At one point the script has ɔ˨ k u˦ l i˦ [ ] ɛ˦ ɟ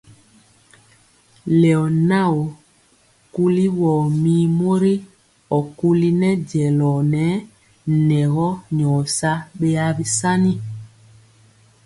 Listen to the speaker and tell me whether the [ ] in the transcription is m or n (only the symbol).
n